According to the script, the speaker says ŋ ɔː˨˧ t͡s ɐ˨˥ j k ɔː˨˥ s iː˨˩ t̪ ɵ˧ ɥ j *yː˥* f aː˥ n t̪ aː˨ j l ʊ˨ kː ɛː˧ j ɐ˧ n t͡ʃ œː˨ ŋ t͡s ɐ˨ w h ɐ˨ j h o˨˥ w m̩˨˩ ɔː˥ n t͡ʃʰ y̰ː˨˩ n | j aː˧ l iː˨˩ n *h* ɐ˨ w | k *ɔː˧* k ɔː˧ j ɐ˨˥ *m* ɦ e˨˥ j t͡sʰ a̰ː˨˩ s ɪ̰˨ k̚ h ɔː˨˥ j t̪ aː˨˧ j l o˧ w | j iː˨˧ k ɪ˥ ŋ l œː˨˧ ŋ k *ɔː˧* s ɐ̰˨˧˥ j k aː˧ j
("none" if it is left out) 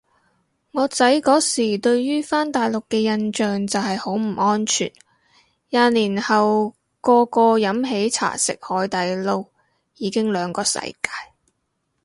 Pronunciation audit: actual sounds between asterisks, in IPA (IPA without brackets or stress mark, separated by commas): yː˥, h, ɔː˧, m, ɔː˧